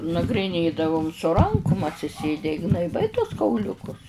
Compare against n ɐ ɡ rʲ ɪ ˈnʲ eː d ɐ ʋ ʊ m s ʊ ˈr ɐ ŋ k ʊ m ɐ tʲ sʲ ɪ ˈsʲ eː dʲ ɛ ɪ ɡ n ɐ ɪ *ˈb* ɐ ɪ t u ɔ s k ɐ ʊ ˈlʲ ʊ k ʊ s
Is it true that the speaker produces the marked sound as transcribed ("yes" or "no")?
yes